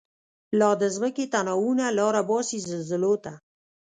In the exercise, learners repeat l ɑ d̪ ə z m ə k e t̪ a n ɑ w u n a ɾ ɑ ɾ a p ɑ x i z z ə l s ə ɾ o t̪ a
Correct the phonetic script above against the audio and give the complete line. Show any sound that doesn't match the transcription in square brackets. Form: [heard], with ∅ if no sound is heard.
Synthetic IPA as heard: l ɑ d̪ ə z m ə k e t̪ a n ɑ w u n a [l] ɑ ɾ a [b] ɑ [s] i z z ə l [z] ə [l] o t̪ a